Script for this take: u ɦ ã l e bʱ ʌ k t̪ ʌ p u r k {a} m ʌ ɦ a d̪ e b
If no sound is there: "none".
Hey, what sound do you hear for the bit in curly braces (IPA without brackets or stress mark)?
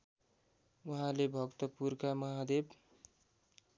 a